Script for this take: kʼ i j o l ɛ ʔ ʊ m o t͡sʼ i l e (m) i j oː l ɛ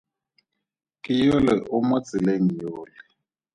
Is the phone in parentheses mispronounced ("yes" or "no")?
yes